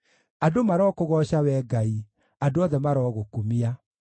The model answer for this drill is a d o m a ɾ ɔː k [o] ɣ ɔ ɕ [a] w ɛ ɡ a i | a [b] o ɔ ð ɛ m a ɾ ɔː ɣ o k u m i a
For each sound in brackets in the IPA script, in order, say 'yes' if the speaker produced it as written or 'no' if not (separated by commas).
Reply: yes, yes, no